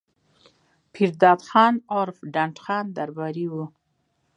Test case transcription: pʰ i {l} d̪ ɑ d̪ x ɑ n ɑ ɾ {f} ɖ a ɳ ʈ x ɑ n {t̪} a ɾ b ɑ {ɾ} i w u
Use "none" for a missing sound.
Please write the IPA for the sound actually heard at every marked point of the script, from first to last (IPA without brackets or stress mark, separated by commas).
ɾ, f, d̪, ɾ